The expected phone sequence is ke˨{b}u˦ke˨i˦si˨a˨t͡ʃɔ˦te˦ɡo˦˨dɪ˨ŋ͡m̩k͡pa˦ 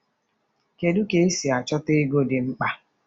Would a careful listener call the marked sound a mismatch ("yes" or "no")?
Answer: yes